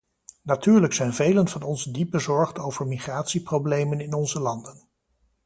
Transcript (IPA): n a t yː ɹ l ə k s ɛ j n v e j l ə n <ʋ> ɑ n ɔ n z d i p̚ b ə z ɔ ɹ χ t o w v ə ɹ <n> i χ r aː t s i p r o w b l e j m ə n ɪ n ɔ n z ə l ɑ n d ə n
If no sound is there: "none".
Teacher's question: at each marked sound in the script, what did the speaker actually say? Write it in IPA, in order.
v, m

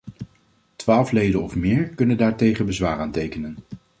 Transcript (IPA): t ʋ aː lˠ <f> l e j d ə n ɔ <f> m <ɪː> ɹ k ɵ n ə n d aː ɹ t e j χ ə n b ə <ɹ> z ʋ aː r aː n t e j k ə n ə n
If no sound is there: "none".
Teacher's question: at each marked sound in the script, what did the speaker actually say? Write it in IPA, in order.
f, f, ɪː, none

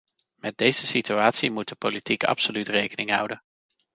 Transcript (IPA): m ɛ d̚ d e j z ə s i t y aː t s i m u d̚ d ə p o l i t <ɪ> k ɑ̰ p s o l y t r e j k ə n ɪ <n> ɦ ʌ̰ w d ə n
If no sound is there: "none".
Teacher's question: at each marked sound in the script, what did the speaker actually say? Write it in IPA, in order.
i, ŋ

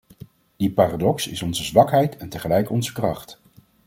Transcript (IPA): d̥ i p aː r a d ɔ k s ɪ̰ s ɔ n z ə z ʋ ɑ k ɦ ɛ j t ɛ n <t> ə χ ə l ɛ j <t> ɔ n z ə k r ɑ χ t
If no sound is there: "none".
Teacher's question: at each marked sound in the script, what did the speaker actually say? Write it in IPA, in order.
t, k

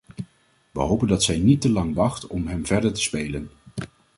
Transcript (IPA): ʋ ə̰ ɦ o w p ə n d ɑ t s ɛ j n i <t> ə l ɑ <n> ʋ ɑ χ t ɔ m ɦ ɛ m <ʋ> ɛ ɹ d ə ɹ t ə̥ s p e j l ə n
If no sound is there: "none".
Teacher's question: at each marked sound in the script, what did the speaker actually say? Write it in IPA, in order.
t, ŋ, v

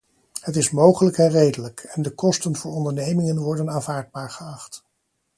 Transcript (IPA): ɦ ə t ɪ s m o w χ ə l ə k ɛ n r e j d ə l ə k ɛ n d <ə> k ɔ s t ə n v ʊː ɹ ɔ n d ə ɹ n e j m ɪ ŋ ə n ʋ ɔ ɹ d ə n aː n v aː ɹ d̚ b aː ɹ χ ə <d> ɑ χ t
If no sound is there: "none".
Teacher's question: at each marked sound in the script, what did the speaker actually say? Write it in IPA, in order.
ə, none

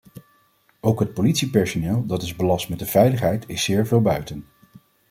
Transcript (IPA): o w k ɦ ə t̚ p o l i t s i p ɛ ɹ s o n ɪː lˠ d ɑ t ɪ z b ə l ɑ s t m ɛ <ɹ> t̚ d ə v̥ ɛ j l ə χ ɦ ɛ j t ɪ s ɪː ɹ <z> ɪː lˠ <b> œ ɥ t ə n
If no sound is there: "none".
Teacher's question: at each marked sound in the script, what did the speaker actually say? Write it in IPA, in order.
none, v, b

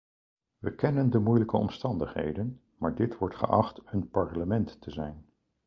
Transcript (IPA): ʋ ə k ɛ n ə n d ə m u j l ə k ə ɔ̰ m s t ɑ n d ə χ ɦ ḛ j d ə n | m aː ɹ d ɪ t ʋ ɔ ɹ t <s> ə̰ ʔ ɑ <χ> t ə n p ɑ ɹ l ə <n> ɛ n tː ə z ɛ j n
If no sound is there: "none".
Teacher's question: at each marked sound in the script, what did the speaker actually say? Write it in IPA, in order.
χ, χ, m

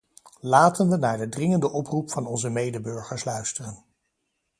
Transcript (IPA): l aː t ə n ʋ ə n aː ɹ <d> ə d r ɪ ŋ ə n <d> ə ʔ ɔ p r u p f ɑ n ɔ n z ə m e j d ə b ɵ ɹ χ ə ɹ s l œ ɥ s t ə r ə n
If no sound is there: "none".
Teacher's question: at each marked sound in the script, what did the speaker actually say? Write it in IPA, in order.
d, d

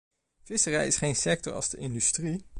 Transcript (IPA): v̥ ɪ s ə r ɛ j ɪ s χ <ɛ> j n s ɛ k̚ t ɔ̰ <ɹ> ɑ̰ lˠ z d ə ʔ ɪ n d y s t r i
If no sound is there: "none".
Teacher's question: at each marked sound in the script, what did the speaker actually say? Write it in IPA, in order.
e, ɹ

